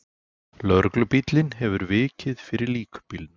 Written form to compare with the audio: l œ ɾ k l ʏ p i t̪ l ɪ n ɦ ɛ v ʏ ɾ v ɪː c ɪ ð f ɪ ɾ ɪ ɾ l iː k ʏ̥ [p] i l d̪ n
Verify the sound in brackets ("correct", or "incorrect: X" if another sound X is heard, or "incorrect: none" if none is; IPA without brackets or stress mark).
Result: correct